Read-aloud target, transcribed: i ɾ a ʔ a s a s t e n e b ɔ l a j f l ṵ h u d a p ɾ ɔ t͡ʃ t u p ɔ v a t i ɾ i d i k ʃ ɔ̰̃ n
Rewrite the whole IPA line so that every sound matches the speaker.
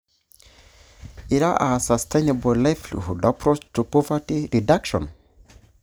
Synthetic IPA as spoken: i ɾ a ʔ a s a s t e n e b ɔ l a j f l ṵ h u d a p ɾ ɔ t͡ʃ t u p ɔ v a t i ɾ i d a k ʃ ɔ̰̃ n